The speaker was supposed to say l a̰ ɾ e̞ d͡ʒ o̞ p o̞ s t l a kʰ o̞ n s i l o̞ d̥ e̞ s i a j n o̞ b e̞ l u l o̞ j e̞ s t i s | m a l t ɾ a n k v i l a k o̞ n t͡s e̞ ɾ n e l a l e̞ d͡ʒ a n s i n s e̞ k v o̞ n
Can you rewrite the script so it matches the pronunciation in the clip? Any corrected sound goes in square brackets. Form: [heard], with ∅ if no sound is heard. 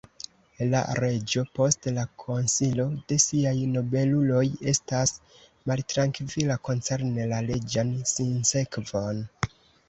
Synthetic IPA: l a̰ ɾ e̞ d͡ʒ o̞ p o̞ s t l a kʰ o̞ n s i l o̞ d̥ e̞ s i a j n o̞ b e̞ l u l o̞ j e̞ s t [a] s | m a l t ɾ a [ŋ] k v i l a k o̞ n t͡s e̞ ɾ n e l a l e̞ d͡ʒ a n s i n s e̞ k v o̞ n